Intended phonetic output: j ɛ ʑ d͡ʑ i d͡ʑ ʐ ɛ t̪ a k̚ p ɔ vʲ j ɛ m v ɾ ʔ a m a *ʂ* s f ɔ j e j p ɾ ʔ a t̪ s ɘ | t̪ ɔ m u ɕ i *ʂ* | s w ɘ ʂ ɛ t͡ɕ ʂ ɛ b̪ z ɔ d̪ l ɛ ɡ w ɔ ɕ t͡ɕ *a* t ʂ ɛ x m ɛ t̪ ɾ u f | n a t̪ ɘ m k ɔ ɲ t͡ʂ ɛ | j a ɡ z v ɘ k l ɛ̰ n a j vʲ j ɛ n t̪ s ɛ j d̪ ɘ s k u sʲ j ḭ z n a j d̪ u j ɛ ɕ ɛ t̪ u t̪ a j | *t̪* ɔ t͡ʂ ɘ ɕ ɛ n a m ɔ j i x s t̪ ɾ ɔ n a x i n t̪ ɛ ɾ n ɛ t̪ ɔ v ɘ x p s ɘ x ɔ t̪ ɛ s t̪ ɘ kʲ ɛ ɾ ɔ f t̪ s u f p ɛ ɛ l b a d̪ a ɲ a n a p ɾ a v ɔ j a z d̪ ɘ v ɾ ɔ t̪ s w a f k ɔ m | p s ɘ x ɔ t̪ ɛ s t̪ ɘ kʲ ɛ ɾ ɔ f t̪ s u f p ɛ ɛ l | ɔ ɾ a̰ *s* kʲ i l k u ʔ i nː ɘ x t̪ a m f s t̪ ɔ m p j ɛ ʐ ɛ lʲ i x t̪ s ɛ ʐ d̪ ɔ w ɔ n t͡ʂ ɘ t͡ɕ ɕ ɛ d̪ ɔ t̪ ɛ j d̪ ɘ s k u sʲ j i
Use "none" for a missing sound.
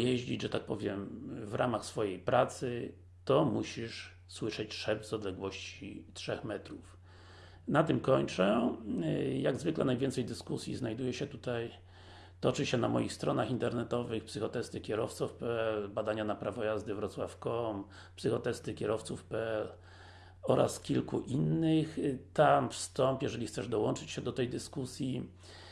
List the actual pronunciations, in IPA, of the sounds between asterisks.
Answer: x, ʂ, i, t̪, s

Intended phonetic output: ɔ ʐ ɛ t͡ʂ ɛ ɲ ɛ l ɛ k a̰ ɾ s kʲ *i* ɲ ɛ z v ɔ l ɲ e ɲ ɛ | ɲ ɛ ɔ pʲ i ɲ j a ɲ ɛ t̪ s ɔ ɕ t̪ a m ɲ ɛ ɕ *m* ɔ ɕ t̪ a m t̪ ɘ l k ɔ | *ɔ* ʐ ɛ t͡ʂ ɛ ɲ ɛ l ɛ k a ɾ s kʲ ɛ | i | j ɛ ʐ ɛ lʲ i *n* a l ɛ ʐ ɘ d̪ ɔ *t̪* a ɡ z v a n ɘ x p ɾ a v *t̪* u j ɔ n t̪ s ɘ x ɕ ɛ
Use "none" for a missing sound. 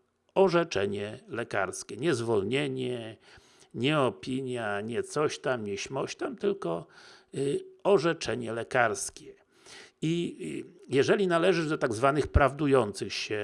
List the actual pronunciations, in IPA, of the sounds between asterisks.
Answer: ɛ, m, ɔ, n, t̪, d̪

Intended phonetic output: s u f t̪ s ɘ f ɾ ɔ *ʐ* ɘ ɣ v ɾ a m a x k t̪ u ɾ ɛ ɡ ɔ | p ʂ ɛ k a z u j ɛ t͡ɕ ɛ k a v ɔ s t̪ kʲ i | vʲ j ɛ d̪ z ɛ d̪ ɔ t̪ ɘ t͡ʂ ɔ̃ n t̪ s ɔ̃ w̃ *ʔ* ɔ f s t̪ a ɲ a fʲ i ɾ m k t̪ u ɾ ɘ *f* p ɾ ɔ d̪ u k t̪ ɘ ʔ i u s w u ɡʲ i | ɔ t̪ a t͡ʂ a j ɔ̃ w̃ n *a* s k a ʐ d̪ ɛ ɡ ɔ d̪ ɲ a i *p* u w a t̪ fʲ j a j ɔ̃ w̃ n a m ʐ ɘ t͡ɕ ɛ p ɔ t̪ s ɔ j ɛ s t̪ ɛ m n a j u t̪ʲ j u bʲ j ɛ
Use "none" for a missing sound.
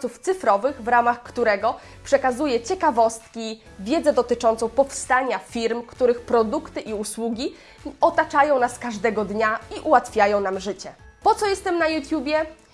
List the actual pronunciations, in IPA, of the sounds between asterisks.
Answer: v, p, x, a, ʔ

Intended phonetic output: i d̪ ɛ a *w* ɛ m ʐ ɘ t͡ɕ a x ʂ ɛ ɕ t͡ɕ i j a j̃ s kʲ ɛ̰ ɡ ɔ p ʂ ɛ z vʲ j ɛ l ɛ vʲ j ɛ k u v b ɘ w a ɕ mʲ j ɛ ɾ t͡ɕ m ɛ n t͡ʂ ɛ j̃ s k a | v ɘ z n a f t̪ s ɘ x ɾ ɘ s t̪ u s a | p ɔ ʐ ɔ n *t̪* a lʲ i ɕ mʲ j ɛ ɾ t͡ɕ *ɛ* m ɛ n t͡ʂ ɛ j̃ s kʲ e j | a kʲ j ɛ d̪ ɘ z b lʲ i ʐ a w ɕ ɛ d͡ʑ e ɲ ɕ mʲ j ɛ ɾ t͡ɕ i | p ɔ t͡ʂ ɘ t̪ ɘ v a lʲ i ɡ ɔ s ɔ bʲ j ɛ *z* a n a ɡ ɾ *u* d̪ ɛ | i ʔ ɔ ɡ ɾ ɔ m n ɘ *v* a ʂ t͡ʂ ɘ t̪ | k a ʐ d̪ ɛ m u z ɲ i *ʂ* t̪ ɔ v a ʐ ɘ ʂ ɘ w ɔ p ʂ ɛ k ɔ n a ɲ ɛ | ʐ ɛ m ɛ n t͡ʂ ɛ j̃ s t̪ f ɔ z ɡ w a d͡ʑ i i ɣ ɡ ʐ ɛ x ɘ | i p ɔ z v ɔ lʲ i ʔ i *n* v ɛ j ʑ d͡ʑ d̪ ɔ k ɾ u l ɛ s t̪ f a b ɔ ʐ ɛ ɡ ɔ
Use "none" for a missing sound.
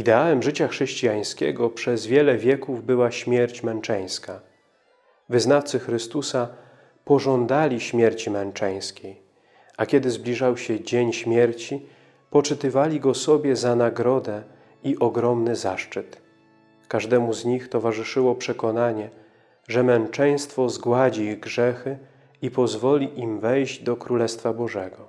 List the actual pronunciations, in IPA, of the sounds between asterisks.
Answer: w, d̪, i, z, ɔ, z, x, m

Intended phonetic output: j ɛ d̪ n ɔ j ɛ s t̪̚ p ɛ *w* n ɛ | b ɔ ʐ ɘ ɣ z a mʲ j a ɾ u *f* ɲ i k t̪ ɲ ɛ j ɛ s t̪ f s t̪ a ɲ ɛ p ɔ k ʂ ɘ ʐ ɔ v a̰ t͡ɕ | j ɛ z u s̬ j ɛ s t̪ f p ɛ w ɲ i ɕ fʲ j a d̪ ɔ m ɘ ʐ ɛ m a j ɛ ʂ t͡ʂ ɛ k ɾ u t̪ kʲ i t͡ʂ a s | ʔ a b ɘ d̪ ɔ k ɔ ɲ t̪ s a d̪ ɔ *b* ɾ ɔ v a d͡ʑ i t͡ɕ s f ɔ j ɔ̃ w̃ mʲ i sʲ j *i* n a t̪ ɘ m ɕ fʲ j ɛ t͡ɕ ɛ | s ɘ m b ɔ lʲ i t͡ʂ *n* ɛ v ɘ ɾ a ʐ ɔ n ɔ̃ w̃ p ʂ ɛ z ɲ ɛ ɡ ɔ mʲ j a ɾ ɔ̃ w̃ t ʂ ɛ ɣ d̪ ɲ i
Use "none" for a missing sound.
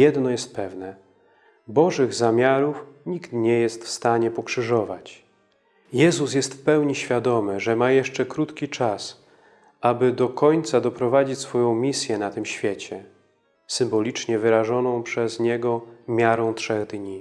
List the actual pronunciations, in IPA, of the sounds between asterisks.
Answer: v, f, p, ɛ, ɲ

